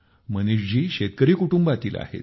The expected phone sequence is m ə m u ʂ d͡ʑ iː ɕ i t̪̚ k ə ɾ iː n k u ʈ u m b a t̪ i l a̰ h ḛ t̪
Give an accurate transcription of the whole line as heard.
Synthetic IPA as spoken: m ə n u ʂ d͡ʑ iː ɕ e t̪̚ k ə ɾ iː k u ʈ u m b a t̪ iː l a̰ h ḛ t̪